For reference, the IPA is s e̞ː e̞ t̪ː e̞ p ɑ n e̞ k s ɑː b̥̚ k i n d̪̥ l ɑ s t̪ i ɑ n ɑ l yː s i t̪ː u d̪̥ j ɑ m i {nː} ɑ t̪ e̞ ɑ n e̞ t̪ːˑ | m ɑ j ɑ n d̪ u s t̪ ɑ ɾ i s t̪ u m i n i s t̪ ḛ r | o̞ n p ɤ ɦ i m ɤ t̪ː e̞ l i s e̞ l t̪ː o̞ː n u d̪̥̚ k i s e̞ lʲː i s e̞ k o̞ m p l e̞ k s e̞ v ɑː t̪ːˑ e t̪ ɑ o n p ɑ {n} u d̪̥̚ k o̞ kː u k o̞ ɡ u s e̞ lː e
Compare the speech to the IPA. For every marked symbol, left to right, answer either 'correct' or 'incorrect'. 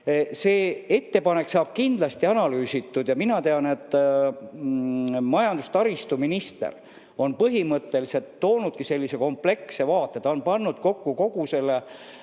incorrect: n, incorrect: nː

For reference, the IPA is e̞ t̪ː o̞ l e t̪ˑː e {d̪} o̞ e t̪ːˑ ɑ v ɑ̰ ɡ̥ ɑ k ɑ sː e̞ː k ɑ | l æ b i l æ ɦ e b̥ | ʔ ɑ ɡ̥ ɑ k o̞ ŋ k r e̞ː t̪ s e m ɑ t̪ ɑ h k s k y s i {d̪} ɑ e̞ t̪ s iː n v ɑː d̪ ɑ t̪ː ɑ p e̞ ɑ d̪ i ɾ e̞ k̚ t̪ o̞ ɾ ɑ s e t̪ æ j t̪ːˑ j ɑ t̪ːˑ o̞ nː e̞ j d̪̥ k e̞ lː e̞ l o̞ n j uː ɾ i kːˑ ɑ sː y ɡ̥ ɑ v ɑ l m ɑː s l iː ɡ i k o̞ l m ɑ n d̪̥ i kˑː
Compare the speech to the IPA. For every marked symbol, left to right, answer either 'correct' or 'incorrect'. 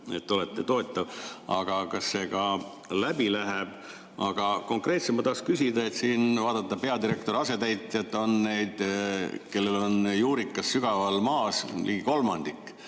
incorrect: t̪, correct

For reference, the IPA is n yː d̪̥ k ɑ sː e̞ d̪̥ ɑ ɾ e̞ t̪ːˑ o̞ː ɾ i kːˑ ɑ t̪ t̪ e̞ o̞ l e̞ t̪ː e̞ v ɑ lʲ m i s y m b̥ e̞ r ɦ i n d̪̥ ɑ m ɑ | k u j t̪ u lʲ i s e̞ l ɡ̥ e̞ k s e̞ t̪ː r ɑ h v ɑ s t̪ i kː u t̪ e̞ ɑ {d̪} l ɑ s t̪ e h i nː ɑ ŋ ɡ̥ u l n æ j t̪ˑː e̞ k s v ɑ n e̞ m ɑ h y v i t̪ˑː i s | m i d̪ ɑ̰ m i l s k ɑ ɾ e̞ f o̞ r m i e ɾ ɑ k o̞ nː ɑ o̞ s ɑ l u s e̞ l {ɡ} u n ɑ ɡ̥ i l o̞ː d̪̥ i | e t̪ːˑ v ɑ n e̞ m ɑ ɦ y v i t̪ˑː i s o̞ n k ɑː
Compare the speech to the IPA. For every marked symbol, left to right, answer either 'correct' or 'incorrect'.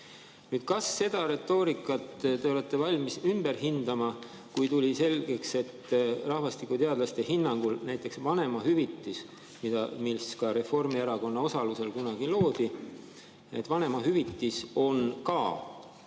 correct, incorrect: k

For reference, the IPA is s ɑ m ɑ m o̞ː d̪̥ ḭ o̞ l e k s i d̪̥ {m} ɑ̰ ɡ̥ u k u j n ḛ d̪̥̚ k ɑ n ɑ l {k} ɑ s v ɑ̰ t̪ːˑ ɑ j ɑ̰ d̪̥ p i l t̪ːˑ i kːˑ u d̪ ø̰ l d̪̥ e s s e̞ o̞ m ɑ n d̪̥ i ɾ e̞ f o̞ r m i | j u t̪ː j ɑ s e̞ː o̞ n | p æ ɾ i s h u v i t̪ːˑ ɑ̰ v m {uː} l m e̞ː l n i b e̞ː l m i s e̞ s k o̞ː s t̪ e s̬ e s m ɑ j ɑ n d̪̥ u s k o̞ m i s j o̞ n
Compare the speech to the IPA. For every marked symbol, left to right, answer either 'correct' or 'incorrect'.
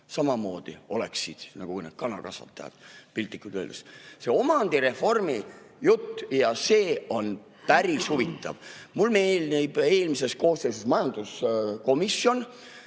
incorrect: n, correct, incorrect: u

